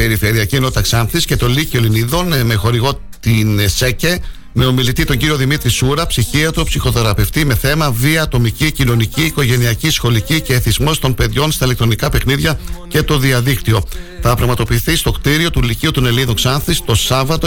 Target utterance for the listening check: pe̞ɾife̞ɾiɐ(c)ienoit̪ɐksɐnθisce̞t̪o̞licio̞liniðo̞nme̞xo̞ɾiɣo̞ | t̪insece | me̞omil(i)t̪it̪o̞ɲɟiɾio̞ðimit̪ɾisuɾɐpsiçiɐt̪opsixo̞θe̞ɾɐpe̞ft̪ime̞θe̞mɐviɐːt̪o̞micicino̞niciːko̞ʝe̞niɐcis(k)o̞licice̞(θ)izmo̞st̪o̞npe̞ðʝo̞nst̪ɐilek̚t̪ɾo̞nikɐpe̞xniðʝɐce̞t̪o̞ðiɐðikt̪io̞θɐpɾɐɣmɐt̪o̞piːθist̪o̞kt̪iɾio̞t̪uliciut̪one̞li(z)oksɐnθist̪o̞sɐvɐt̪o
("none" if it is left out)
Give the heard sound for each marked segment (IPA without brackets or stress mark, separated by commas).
c, i, x, θ, ð